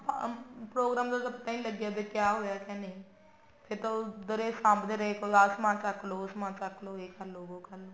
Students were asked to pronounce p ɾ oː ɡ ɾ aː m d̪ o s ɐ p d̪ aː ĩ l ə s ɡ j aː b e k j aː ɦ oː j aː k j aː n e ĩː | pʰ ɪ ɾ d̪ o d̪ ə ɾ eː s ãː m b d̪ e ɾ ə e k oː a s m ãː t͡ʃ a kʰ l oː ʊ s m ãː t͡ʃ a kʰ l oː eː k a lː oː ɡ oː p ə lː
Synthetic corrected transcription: p ɾ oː ɡ ɾ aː m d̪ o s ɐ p t̪ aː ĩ l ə ɡ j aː b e k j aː ɦ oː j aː k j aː n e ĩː | pʰ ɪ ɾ t̪ o d̪ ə ɾ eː s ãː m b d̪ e ɾ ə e k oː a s m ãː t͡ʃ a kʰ l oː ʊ s m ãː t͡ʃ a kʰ l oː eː k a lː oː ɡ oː k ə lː